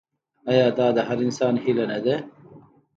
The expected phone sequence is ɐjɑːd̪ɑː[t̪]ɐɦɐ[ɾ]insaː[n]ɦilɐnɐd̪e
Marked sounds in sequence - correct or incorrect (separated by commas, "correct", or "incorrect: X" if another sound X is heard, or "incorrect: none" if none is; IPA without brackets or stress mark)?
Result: incorrect: d̪, correct, correct